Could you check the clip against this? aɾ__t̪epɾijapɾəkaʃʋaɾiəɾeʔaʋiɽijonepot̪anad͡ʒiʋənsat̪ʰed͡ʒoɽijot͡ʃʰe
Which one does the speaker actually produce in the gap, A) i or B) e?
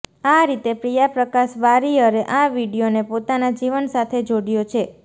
A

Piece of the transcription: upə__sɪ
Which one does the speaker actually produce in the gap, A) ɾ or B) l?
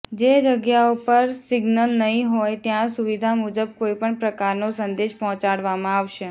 A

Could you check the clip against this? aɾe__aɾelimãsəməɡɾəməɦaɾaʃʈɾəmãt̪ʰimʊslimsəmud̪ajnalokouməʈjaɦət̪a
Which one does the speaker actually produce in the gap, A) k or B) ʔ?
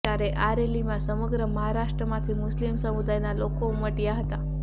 B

